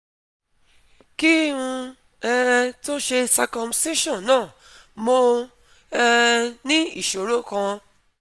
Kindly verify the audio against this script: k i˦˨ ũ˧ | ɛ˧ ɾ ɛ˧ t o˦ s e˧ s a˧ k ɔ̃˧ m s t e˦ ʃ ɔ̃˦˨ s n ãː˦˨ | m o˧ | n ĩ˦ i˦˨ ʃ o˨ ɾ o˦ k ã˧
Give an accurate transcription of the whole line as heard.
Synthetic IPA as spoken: k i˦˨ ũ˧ | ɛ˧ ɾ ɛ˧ t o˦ ʃ e˧ s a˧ k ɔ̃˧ m s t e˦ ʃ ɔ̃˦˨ n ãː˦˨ | m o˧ | n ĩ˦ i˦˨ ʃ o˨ ɾ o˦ k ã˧